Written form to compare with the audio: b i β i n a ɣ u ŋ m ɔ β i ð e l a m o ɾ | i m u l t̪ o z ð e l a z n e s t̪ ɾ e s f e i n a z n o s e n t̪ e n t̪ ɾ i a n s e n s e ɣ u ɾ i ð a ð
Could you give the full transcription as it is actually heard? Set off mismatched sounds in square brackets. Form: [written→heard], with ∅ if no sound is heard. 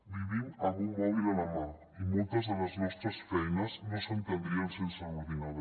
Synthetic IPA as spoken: b i β i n a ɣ u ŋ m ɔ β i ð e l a m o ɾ | i m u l t̪ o z ð e l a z n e s t̪ ɾ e s f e [i→j] n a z n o s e n t̪ e n [t̪→d̪] ɾ i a n s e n s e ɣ u ɾ i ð a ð